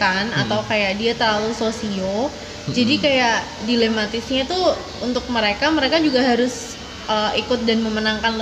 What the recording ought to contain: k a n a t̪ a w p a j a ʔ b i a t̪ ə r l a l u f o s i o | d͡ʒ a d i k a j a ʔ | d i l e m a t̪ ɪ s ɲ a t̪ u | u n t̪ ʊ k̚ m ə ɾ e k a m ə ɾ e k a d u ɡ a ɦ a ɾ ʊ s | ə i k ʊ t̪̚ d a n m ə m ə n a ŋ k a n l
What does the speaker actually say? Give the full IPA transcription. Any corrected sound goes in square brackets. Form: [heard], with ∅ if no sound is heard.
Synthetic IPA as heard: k a n a t̪ a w [k] a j a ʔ [d] i a t̪ ə r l a l u [s] o s i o | d͡ʒ a d i k a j a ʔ | d i l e m a t̪ ɪ s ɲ a t̪ u | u n t̪ ʊ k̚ m ə ɾ e k a m ə ɾ e k a [d͡ʒ] u ɡ a ɦ a ɾ ʊ s | ə i k ʊ t̪̚ d a n m ə m ə n a ŋ k a n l